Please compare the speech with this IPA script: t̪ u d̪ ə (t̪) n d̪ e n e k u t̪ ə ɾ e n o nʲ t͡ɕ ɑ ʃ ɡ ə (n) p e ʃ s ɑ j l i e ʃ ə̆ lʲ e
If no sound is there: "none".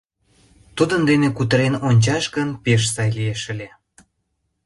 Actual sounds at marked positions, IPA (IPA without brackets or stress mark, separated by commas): none, n